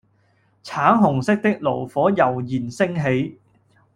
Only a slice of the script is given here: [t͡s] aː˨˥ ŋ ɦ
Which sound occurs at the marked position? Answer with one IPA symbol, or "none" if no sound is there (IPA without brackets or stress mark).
t͡sʰ